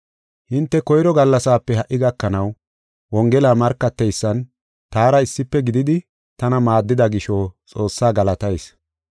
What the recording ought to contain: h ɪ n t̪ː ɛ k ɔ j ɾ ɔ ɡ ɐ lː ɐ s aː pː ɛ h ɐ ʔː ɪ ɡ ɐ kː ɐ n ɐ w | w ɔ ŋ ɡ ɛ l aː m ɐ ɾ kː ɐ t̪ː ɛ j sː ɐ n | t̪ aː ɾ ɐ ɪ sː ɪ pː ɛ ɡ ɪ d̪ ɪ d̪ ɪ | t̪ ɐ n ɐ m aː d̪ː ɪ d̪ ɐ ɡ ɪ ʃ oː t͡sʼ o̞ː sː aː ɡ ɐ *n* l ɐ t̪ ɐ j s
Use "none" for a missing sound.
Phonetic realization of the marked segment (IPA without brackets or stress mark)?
none